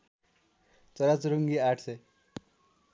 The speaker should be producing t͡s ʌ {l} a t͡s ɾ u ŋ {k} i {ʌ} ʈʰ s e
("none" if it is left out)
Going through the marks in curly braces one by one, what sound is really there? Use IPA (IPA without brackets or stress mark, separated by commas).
ɾ, ɡ, a